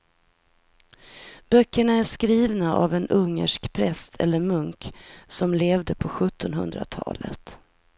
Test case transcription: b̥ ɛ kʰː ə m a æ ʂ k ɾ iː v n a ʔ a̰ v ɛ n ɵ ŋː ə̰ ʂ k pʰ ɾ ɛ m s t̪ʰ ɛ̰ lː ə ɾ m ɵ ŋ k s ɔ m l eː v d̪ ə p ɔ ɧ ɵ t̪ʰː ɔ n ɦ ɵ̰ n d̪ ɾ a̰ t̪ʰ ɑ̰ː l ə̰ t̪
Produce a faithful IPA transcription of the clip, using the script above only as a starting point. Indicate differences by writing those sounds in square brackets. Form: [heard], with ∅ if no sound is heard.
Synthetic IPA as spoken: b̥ [œ] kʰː ə [ɳ] a æ ʂ k ɾ iː v n a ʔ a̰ v ɛ n ɵ ŋː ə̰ ʂ k pʰ ɾ ɛ [∅] s t̪ʰ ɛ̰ lː ə ɾ m ɵ ŋ k s ɔ m l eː v d̪ ə [pʰ] ɔ ɧ ɵ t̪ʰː ɔ n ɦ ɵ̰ n d̪ ɾ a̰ t̪ʰ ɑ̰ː l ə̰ t̪

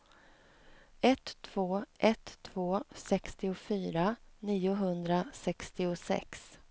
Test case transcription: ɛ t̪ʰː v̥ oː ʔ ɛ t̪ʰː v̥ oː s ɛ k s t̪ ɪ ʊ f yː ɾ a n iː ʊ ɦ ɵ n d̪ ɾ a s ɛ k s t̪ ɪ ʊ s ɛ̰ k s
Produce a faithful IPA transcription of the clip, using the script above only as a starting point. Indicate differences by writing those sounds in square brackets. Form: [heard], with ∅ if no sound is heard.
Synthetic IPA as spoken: ɛ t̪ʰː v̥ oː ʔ ɛ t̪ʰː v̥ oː s ɛ k s t̪ ɪ ʊ f yː ɾ a n iː ʊ ɦ ɵ n d̪ ɾ a s ɛ k s t̪ ɪ ʊ s ɛ̰ k s

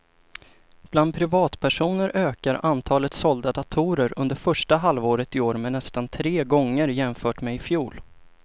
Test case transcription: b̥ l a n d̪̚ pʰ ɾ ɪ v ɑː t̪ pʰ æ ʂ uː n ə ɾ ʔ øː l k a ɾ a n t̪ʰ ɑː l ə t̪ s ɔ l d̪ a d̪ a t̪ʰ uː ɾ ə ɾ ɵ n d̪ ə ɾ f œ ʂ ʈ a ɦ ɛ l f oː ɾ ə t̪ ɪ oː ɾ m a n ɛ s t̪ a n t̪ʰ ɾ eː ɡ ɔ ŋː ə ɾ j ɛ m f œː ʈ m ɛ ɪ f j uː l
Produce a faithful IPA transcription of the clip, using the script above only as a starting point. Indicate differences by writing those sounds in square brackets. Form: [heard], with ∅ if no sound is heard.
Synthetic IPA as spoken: b̥ l a n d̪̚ pʰ ɾ ɪ v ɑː t̪ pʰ æ ʂ uː n ə ɾ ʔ øː [∅] k a ɾ a n t̪ʰ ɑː l ə t̪ s ɔ l d̪ a d̪ a t̪ʰ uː ɾ ə ɾ ɵ n d̪ ə ɾ f œ ʂ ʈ a ɦ [a] l [v] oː ɾ ə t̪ ɪ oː ɾ m [ɛ] n ɛ s t̪ a n t̪ʰ ɾ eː ɡ ɔ ŋː ə ɾ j ɛ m f œː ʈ m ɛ ɪ f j uː l

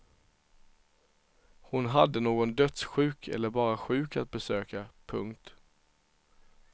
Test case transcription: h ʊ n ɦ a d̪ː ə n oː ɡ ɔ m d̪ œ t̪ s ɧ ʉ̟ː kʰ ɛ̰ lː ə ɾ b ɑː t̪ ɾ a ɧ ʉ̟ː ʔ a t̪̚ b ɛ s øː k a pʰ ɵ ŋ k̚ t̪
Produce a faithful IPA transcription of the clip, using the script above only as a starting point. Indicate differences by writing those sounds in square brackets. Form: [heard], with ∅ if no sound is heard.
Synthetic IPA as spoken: h ʊ n ɦ a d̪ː ə n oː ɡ ɔ [n] d̪ œ t̪ s ɧ ʉ̟ː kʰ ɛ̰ lː ə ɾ b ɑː [∅] ɾ a ɧ ʉ̟ː [k] a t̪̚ b ɛ s øː k a pʰ ɵ ŋ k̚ t̪

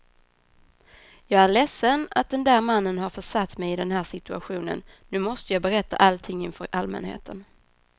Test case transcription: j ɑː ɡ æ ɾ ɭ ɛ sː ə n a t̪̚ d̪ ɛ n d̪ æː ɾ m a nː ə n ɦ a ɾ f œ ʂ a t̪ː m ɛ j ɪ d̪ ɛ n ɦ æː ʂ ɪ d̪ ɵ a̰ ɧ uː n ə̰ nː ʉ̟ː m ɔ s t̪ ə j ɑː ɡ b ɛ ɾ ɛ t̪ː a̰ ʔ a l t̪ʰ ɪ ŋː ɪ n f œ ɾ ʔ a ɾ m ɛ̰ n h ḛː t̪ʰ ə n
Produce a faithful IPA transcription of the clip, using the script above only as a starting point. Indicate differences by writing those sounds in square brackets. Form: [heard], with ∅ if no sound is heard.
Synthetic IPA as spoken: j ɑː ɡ æ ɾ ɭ ɛ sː ə n a t̪̚ d̪ ɛ n d̪ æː ɾ m a nː ə n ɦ a ɾ f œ ʂ a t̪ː m ɛ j ɪ d̪ ɛ n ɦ æː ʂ ɪ [t̪] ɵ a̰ ɧ uː n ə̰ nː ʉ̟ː m ɔ s t̪ ə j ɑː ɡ b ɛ ɾ ɛ t̪ː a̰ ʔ a l t̪ʰ ɪ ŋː ɪ n f œ ɾ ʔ a [l] m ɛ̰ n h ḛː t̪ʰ ə n

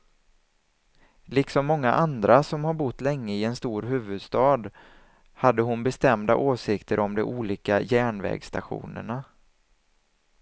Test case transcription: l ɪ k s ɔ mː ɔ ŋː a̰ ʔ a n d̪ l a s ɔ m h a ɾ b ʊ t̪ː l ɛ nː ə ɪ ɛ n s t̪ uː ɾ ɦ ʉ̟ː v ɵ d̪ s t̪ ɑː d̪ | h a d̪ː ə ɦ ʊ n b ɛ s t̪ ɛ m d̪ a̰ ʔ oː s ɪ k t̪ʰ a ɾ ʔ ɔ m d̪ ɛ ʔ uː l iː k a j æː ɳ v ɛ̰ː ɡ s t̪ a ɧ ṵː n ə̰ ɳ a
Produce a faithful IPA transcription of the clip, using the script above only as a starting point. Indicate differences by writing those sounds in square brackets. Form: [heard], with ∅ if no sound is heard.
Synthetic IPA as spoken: l ɪ k s ɔ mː ɔ ŋː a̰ ʔ a n d̪ [ɾ] a s ɔ m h a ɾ b ʊ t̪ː l ɛ [ŋː] ə ɪ ɛ n s t̪ uː ɾ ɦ ʉ̟ː v ɵ d̪ s t̪ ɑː d̪ | h a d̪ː ə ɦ ʊ n b ɛ s t̪ ɛ m d̪ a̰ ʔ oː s ɪ k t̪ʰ [ə] ɾ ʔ ɔ m d̪ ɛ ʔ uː l iː k a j æː ɳ v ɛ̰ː ɡ s t̪ a ɧ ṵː n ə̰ ɳ a

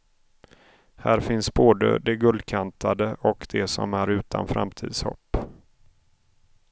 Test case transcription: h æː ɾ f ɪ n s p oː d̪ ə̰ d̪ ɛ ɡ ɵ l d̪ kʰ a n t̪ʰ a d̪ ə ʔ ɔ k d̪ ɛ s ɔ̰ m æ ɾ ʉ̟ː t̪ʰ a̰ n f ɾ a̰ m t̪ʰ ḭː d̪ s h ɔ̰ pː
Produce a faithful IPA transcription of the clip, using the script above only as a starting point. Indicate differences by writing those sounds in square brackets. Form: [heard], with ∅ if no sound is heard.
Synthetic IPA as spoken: h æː ɾ f ɪ n s [b] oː d̪ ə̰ d̪ ɛ ɡ ɵ l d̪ kʰ a n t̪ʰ a d̪ ə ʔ ɔ k d̪ ɛ s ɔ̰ m æ ɾ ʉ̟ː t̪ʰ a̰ n f ɾ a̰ m t̪ʰ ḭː d̪ s h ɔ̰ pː

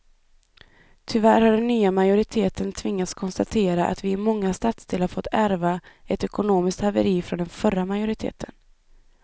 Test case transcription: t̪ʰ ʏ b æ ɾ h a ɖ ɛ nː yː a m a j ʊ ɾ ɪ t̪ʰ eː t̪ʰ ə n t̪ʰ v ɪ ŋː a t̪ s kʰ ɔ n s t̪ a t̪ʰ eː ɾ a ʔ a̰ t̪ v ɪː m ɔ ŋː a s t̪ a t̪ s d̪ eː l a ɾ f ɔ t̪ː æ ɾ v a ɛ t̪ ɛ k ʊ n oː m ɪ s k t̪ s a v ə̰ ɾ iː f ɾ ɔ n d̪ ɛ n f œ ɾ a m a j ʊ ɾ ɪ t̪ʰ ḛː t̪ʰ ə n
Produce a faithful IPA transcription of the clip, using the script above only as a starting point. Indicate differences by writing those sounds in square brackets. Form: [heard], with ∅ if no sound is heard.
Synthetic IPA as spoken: t̪ʰ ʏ [v] æ ɾ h a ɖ ɛ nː yː a m a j ʊ ɾ ɪ t̪ʰ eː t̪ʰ ə n t̪ʰ v ɪ ŋː a t̪ s kʰ ɔ n s t̪ a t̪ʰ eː ɾ a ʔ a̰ t̪ v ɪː m ɔ ŋː a s t̪ a t̪ s d̪ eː l a ɾ f ɔ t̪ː æ ɾ v a ɛ t̪ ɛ k ʊ n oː m ɪ s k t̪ [h] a v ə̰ ɾ iː f ɾ ɔ n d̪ ɛ n f œ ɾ a m a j ʊ ɾ ɪ t̪ʰ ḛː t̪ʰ ə n

